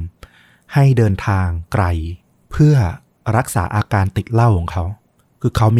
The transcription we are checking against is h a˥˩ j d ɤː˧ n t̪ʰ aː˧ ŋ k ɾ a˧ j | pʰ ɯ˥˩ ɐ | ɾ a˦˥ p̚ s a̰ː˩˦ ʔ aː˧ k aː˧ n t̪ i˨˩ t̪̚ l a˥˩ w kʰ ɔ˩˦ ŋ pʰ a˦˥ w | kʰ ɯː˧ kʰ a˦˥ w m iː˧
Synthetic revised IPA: h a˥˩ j d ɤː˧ n t̪ʰ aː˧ ŋ k ɾ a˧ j | pʰ ɯ˥˩ ɐ | ɾ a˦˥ k̚ s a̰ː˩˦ ʔ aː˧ k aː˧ n t̪ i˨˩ t̪̚ l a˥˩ w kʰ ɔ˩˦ ŋ kʰ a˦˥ w | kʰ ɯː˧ kʰ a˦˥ w m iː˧